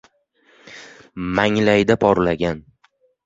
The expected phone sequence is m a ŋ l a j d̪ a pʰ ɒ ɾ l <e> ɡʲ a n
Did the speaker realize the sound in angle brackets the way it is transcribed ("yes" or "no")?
no